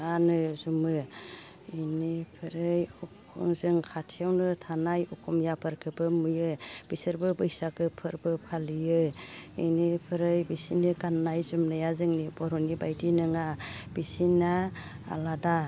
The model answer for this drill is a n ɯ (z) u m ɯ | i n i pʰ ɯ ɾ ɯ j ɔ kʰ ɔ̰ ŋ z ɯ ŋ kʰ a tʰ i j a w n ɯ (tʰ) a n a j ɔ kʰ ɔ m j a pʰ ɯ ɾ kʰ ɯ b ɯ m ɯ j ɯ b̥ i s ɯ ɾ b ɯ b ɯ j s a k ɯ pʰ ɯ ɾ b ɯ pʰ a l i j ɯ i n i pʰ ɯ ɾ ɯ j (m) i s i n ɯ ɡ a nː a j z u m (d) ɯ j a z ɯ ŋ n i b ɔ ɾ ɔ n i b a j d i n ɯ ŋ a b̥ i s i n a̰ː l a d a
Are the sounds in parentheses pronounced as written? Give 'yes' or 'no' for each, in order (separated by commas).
yes, yes, no, no